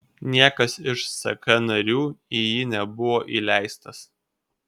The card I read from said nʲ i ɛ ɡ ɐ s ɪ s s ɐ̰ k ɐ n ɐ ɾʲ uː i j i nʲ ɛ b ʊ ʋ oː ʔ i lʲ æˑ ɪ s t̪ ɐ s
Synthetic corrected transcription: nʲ i ɛ k ɐ s ɪ ʃ s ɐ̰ k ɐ n ɐ ɾʲ uː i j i nʲ ɛ b ʊ ʋ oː ʔ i lʲ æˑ ɪ s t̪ ɐ s